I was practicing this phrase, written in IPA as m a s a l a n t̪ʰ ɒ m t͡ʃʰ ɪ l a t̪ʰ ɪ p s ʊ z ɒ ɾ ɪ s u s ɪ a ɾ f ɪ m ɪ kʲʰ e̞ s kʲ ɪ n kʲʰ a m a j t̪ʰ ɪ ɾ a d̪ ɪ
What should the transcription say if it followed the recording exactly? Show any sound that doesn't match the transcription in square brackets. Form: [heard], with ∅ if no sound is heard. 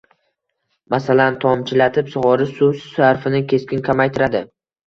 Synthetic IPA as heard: m a s a l a n t̪ʰ ɒ m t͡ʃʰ ɪ l a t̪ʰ ɪ p s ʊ [ʁ] ɒ ɾ ɪ s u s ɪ a ɾ f ɪ [n] ɪ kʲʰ e̞ s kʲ ɪ n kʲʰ a m a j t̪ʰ ɪ ɾ a d̪ ɪ